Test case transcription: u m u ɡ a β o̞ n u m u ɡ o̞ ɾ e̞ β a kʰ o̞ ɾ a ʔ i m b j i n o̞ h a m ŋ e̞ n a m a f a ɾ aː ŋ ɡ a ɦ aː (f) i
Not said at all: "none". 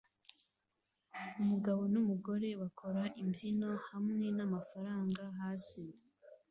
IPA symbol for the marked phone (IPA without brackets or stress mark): s